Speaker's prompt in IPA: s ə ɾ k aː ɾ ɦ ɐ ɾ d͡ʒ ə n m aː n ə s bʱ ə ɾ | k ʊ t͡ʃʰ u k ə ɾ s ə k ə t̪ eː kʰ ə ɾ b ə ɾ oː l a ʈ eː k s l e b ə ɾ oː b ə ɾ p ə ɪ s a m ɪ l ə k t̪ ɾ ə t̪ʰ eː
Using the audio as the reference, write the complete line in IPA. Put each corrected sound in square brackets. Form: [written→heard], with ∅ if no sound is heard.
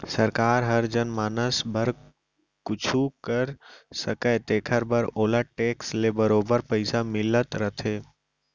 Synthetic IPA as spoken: s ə ɾ k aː ɾ ɦ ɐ ɾ d͡ʒ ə n m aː n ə s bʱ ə ɾ | k ʊ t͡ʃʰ u k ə ɾ s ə k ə t̪ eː kʰ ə ɾ b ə ɾ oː l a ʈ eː k s l e b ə ɾ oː b ə ɾ p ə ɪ s a m ɪ l ə [k→∅] t̪ ɾ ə t̪ʰ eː